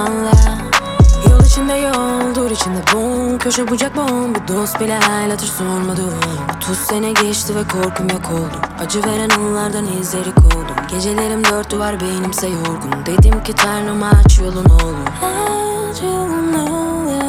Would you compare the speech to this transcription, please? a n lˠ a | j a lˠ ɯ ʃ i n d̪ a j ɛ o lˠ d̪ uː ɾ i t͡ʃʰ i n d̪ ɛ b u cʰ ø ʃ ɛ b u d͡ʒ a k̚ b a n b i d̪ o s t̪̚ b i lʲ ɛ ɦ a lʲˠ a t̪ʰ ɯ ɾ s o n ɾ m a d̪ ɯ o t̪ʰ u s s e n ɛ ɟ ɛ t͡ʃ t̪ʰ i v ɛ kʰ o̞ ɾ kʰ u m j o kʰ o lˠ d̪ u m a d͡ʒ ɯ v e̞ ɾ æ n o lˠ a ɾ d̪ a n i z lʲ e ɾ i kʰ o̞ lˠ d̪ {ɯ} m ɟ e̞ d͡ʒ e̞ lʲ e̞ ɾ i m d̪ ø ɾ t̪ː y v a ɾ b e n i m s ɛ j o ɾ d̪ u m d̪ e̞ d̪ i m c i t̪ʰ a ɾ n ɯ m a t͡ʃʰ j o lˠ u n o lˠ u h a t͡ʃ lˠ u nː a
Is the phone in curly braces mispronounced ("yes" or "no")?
yes